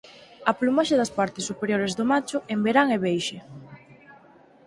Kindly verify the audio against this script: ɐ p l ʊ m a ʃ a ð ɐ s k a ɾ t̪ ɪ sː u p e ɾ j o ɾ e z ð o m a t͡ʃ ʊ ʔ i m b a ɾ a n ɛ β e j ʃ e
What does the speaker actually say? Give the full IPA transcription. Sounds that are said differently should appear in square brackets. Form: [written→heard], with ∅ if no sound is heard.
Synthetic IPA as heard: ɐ p l [ʊ→u] m a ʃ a ð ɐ s [k→p] a ɾ t̪ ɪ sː u p e ɾ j o ɾ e z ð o m a t͡ʃ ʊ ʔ [i→e] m b [a→e] ɾ a [n→ŋ] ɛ β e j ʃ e